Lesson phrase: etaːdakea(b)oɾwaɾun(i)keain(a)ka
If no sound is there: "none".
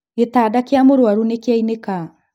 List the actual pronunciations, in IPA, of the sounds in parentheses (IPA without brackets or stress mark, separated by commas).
m, e, e